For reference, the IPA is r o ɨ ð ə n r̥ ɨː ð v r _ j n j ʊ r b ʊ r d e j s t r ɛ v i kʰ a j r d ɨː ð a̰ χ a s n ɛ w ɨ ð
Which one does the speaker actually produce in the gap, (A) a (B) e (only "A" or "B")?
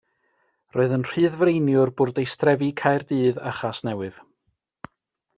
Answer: B